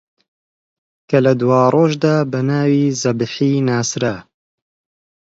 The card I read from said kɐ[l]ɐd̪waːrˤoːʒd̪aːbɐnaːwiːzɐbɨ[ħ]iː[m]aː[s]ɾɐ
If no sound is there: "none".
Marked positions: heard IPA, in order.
l, ħ, n, s

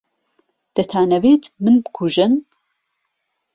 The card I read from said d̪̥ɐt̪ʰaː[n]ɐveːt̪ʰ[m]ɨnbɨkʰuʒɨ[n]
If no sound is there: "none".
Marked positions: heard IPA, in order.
n, m, n

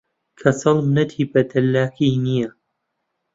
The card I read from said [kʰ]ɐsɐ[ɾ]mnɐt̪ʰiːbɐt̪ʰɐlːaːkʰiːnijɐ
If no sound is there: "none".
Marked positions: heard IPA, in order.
kʰ, l

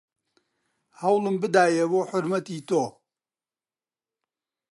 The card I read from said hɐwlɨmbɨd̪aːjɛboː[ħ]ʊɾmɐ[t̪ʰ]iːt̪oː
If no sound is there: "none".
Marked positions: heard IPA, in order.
ħ, t̪

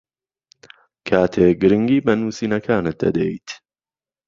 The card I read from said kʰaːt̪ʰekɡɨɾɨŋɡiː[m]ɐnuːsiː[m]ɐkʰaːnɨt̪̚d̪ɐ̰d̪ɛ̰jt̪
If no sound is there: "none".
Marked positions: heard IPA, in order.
b, n

